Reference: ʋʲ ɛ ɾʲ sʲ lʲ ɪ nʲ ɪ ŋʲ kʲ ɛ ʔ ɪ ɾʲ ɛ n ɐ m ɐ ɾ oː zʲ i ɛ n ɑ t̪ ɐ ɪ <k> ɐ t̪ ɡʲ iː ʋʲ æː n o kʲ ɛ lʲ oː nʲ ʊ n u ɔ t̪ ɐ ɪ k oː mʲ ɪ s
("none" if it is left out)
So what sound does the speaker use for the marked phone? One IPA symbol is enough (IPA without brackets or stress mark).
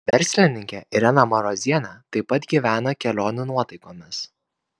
p